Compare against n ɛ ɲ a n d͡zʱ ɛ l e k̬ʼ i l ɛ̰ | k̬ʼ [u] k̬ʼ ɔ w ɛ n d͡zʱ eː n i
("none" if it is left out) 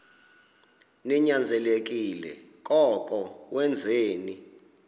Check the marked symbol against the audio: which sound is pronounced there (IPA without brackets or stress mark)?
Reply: ɔ